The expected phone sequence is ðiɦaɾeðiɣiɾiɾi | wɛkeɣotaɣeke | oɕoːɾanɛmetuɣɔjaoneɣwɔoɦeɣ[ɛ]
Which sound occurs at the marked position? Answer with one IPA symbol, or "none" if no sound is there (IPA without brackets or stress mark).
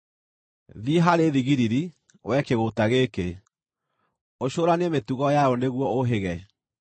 ɛ